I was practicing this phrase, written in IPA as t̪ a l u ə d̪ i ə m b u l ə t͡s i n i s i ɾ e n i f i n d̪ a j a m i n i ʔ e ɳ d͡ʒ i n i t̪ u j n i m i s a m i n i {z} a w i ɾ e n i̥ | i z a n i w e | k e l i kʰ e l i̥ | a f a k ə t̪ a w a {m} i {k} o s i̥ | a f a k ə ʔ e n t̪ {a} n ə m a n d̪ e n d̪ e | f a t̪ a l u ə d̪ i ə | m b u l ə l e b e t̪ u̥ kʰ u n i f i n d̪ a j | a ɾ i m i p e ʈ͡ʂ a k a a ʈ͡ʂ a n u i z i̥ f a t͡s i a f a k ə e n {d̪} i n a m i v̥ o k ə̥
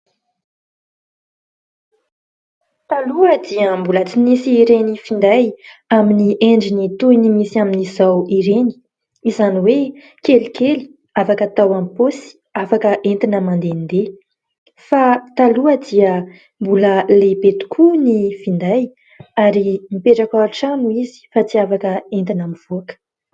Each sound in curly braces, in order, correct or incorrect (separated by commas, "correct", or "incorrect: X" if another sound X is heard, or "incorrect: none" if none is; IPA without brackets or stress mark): correct, correct, incorrect: p, incorrect: i, incorrect: t̪